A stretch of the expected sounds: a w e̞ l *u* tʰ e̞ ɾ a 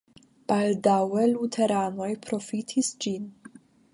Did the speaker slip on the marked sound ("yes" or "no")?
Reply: no